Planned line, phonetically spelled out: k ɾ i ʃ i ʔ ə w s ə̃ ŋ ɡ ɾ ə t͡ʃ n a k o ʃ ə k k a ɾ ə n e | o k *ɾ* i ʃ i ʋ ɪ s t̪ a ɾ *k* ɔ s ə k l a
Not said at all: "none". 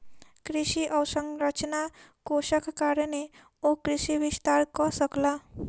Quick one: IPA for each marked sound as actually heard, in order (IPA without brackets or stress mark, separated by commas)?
ɾ, k